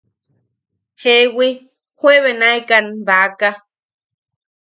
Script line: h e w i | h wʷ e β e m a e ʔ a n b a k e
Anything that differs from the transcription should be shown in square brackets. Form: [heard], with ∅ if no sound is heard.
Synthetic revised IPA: h e w i | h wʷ e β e [n] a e [k] a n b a k [a]